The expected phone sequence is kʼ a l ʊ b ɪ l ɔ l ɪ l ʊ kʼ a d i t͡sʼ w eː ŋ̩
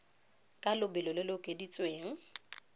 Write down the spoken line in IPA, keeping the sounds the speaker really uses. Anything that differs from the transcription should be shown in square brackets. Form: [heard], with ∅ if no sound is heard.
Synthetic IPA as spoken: kʼ a l ʊ b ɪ l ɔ l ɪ l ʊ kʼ [e] d i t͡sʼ w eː ŋ̩